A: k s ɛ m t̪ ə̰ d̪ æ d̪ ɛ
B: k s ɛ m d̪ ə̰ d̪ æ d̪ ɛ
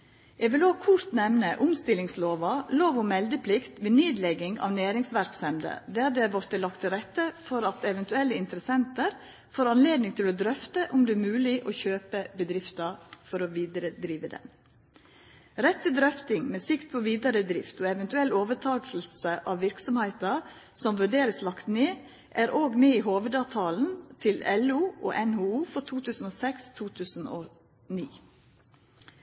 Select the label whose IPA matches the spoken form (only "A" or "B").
B